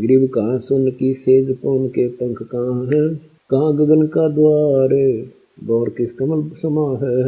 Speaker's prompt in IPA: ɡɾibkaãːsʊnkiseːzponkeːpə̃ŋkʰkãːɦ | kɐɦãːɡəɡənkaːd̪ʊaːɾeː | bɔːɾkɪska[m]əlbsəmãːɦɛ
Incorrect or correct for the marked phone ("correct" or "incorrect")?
correct